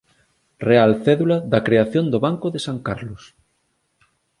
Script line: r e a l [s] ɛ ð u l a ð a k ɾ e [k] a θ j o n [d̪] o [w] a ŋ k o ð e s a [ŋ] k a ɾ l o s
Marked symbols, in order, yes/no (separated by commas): no, no, yes, no, yes